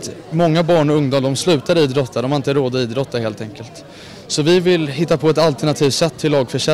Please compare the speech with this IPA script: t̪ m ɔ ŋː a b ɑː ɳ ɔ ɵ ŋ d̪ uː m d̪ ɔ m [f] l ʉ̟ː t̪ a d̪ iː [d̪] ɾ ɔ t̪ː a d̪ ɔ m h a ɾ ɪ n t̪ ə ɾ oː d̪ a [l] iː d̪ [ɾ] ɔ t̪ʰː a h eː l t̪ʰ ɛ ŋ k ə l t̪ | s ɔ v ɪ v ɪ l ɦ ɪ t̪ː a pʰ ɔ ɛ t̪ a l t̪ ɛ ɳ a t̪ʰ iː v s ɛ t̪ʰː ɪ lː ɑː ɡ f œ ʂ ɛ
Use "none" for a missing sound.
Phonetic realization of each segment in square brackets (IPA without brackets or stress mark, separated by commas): s, d̪, none, ɾ